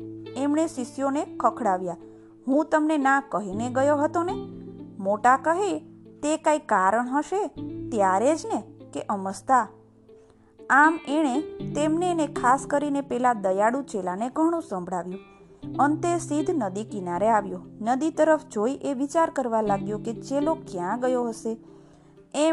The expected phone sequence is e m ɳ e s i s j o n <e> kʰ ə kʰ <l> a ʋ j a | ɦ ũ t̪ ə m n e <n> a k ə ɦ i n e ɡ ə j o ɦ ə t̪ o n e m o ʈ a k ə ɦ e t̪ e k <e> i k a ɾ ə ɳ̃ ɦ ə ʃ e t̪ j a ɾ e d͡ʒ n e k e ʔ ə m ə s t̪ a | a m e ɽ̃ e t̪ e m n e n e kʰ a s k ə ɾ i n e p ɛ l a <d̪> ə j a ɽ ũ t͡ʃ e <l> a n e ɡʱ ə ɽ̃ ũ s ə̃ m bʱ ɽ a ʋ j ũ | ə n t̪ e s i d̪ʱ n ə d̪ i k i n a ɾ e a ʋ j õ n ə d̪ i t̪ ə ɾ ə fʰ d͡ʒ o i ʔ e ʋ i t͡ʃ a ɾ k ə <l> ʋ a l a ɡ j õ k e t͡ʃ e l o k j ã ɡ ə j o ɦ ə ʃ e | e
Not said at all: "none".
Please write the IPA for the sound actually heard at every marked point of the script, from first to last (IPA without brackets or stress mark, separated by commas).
e, ɽ, n, a, d̪, l, ɾ